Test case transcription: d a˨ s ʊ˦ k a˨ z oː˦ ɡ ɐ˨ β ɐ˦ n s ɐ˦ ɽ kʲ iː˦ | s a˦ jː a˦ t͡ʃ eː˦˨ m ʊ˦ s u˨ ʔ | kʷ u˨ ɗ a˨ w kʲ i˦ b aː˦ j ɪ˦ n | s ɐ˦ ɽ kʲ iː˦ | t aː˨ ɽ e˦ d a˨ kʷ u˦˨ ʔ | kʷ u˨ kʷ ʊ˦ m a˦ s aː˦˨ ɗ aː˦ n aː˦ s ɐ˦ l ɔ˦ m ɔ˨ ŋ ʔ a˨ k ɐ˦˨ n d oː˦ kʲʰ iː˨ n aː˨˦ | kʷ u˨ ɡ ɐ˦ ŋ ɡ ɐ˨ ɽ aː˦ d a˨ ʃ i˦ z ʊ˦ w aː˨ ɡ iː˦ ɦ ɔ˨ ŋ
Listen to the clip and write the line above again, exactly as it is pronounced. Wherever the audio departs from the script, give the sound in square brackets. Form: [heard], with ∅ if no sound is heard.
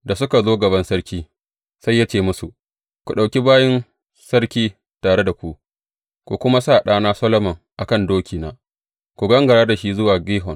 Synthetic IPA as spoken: d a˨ s ʊ˦ k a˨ z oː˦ ɡ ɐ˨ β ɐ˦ n s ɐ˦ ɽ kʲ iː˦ | s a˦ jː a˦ t͡ʃ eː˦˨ m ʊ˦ s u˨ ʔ | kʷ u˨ ɗ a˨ w kʲ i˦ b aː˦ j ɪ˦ n | s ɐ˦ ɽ kʲ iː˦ | t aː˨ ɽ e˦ d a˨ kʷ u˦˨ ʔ | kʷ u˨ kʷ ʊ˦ m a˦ s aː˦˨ ɗ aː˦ n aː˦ s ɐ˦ l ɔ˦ m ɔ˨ ŋ ʔ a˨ k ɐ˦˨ n d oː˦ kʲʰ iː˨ n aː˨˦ | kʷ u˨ ɡ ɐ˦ ŋ ɡ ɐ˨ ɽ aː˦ d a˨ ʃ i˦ z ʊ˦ w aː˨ ɡ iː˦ ɦ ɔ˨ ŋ